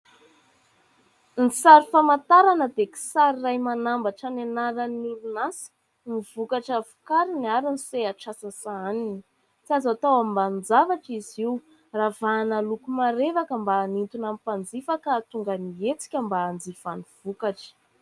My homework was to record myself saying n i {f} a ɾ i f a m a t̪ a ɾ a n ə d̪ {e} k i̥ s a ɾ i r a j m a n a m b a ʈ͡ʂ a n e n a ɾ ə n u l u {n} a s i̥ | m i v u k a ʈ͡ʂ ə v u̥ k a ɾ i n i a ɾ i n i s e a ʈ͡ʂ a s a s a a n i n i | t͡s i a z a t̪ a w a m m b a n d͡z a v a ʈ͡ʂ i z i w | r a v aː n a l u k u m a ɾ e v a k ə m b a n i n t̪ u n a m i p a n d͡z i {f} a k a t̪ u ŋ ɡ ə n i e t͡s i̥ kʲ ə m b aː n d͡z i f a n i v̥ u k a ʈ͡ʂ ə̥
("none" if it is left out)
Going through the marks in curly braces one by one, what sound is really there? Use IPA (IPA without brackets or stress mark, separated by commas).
s, e, n, f